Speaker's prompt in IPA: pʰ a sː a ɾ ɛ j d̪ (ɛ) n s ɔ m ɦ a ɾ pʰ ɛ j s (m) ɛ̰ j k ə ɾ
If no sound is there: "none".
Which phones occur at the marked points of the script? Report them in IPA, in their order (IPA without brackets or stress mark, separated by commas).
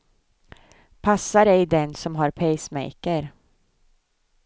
ɛ, m